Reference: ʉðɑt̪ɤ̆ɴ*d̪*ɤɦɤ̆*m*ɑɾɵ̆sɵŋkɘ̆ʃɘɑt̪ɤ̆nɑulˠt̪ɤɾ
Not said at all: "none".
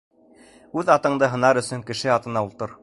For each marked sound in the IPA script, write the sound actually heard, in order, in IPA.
d̪, n

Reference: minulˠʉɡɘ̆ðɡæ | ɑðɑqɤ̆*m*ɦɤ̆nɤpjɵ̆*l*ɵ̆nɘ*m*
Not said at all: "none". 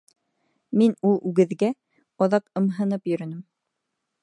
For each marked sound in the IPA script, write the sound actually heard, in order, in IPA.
m, ɾ, m

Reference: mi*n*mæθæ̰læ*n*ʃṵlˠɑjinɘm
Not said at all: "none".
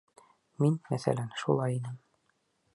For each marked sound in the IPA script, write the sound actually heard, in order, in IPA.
n, n

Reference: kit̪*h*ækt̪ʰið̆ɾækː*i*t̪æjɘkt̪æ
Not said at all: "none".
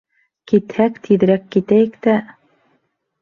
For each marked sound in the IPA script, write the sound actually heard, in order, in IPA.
h, i

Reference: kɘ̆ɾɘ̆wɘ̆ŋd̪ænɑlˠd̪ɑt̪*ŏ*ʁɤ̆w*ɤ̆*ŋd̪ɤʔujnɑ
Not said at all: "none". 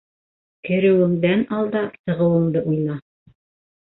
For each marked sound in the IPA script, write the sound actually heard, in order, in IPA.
ɤ̆, ɤ̆

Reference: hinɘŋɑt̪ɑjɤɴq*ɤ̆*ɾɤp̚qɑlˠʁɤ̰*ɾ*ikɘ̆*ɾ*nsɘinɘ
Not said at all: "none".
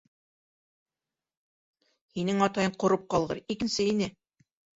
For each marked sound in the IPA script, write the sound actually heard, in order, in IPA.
ŏ, ɾ, none

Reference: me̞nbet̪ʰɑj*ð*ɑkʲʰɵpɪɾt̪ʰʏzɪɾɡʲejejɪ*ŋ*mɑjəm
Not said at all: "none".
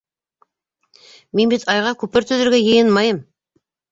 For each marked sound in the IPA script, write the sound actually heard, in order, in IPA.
ʁ, n

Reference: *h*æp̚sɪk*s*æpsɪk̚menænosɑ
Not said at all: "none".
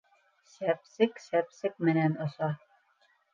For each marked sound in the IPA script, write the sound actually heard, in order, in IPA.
s, s

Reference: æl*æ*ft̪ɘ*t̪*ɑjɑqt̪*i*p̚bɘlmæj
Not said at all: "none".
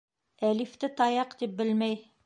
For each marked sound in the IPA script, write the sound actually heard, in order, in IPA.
i, t̪, i

